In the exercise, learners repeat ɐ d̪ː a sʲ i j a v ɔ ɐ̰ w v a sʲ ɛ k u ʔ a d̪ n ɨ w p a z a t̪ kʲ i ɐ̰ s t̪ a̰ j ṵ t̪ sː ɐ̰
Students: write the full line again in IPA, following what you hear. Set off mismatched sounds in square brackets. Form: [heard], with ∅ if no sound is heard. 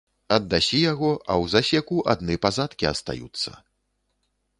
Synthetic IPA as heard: ɐ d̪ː a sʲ i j a [ɣ] ɔ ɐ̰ w [z] a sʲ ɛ k u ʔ a d̪ n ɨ [∅] p a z a t̪ kʲ i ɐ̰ s t̪ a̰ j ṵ t̪ sː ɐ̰